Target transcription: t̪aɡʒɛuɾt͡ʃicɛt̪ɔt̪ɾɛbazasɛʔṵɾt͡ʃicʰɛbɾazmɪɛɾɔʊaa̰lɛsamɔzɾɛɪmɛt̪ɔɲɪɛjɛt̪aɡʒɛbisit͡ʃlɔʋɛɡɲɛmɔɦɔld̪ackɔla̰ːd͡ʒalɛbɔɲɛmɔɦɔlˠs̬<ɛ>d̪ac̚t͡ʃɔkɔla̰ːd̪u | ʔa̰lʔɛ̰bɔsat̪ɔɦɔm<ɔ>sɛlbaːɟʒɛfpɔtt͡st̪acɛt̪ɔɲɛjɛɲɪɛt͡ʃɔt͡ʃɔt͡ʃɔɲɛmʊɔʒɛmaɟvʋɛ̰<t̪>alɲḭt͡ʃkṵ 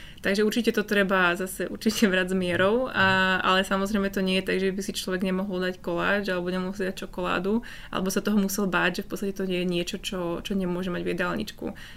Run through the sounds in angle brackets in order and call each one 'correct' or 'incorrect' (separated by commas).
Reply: incorrect, incorrect, incorrect